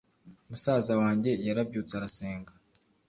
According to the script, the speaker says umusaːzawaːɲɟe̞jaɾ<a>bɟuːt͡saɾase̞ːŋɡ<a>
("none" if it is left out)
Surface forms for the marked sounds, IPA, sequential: a, a

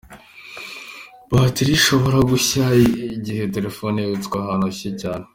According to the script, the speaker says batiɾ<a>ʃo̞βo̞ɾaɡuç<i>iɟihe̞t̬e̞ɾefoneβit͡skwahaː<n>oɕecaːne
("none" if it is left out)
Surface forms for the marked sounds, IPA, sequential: i, a, n

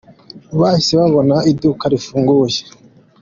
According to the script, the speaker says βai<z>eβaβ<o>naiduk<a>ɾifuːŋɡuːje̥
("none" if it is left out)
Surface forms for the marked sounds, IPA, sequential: s, o, a

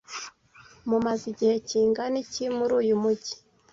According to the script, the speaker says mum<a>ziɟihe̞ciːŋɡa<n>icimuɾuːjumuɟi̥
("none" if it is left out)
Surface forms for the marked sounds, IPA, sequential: a, n

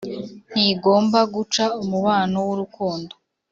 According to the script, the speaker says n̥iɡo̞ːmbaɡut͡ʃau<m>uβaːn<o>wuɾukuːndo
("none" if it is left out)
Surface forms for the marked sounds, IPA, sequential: m, o

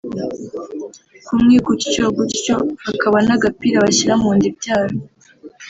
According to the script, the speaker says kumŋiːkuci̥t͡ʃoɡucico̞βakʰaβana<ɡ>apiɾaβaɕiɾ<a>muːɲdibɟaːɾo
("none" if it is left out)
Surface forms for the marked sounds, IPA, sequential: ɡ, a

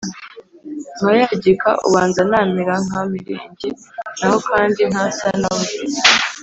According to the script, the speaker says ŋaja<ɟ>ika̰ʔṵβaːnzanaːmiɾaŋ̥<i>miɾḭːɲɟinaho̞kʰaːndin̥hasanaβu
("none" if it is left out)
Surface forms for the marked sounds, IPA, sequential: ɟ, a

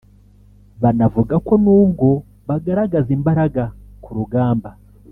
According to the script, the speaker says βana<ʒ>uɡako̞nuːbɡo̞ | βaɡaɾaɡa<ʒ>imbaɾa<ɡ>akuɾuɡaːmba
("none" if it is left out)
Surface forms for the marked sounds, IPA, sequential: v, z, ɡ

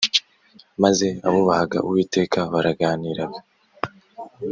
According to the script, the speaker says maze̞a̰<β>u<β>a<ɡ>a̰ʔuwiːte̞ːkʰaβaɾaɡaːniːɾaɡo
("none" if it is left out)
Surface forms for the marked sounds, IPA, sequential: β, β, ɡ

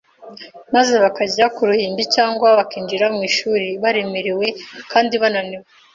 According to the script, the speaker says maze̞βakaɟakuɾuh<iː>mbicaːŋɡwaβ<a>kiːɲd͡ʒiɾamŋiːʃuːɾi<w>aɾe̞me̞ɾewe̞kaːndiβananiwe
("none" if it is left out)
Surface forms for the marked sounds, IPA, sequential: iː, a, β

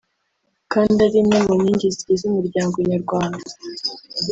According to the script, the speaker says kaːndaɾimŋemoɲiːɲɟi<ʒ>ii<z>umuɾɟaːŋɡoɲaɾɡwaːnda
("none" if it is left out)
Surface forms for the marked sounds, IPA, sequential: z, z

